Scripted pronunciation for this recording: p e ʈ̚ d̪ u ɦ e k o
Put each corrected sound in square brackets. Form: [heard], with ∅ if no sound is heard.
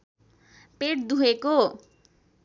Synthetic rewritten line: p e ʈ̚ d̪ u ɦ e k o

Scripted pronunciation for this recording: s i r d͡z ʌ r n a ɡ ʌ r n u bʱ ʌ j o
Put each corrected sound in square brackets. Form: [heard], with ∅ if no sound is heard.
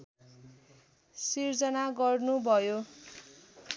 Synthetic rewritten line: s i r d͡z ʌ [∅] n a ɡ ʌ r n u bʱ ʌ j o

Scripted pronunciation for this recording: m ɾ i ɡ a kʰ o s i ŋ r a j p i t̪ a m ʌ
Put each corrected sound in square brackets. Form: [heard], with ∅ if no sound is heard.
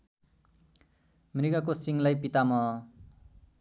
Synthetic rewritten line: m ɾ i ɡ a [k] o s i ŋ [l] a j p i t̪ a m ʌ

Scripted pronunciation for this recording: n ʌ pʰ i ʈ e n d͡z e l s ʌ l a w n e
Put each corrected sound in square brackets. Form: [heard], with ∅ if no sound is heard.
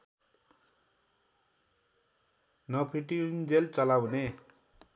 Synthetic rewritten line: n ʌ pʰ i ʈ [i] n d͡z e l [t͡s] ʌ l a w n e

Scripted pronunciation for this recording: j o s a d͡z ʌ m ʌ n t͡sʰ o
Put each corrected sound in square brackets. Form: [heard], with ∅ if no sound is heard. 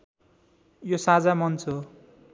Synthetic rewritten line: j o s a d͡z [a] m ʌ n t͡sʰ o

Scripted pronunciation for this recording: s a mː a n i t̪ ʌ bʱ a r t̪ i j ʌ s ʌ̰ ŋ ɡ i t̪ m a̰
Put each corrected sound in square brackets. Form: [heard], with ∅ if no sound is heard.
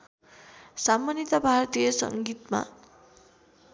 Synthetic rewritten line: s a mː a n i t̪ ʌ bʱ a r t̪ i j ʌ s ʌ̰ ŋ ɡ i t̪ m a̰

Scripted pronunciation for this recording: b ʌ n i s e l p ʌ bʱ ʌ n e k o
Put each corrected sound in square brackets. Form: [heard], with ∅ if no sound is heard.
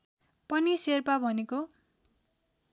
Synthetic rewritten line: [p] ʌ n i s e [r] p [a] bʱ ʌ n e k o

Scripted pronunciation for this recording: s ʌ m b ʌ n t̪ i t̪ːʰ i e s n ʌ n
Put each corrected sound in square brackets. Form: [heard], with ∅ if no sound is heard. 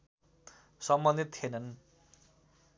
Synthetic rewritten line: s ʌ m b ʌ n [d̪] i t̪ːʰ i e [∅] n ʌ n

